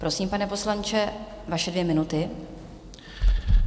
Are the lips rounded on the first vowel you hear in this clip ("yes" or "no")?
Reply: yes